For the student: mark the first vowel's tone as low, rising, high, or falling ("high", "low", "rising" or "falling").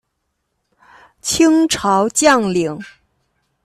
high